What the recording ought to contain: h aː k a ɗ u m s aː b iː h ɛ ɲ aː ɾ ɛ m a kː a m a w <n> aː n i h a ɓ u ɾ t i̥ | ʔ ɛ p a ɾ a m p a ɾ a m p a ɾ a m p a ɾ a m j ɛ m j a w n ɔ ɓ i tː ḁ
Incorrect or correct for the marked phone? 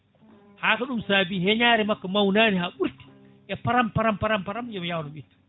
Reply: correct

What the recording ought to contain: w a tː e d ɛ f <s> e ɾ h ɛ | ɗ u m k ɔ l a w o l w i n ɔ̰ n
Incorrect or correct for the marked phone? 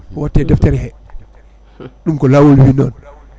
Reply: incorrect: t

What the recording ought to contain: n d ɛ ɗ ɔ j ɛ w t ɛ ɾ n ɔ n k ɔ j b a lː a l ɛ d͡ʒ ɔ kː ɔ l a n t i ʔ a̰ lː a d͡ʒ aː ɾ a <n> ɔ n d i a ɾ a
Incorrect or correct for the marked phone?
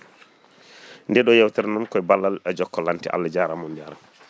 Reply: incorrect: m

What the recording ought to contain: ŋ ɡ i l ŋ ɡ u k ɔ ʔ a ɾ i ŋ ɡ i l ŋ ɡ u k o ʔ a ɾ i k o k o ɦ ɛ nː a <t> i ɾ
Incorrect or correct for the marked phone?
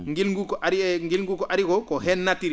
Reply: correct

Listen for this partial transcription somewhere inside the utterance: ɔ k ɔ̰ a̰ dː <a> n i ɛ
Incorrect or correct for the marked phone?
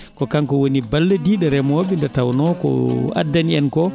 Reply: correct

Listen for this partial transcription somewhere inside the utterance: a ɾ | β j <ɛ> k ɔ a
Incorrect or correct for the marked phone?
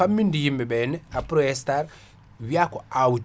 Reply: incorrect: a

